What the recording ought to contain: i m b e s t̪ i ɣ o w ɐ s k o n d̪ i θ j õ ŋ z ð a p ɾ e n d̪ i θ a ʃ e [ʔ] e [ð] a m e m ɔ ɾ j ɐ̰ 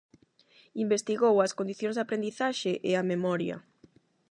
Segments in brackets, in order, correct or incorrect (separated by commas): correct, incorrect